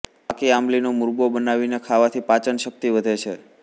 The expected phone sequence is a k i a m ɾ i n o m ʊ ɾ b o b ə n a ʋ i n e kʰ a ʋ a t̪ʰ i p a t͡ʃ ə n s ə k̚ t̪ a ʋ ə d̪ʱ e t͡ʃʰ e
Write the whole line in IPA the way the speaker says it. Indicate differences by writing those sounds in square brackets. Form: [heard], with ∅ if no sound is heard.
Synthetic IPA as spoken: a k i a m [l] i n o m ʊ ɾ b o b ə n a ʋ i n e kʰ a ʋ a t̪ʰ i p a t͡ʃ ə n [ʃ] ə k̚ t̪ [i] ʋ ə d̪ʱ e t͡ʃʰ e